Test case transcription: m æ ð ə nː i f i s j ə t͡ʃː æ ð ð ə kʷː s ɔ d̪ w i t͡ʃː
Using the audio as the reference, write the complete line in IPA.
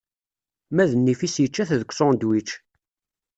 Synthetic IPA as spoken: m æ ð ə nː i f i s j ə t͡ʃː æ θ ð ə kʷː s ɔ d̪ w i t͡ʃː